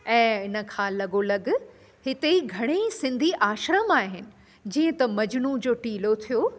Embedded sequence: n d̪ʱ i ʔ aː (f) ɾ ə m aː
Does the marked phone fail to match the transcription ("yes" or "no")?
yes